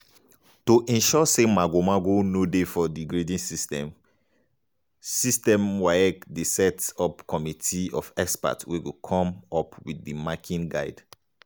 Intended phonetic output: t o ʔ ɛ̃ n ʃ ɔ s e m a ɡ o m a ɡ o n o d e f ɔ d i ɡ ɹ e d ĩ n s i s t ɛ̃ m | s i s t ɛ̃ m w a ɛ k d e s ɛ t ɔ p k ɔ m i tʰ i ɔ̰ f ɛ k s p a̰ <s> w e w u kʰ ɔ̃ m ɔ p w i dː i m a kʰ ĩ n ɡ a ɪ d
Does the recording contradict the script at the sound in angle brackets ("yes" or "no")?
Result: yes